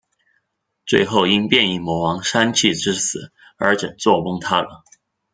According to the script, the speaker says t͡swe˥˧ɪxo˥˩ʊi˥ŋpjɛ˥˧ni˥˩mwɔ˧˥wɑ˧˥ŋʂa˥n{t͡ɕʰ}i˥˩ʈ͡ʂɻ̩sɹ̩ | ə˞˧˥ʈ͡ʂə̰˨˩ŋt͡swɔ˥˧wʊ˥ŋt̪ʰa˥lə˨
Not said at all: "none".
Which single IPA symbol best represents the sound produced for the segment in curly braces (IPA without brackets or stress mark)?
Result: t͡ɕʰ